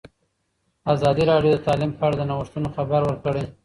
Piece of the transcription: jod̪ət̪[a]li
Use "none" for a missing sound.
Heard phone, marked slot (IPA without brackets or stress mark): ɑ